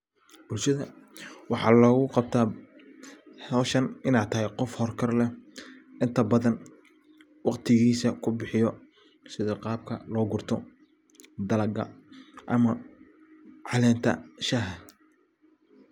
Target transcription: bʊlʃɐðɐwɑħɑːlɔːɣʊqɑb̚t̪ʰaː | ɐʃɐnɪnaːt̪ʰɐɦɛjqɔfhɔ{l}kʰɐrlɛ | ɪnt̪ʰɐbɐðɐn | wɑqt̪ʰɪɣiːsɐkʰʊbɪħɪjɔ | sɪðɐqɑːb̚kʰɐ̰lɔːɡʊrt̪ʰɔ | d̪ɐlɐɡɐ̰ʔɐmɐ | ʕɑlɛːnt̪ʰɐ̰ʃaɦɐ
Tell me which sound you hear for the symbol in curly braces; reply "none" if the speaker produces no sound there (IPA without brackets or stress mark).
r